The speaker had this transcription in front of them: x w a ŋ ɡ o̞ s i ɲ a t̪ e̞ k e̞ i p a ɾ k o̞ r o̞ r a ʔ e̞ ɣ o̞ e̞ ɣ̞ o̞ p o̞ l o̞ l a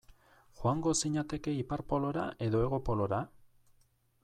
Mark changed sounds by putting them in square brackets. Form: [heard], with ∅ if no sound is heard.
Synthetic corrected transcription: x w a ŋ ɡ o̞ s i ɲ a t̪ e̞ k e̞ i p a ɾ [p] o̞ [l] o̞ [ɾ] a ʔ e̞ [ð] o̞ e̞ ɣ̞ o̞ p o̞ l o̞ [ɾ] a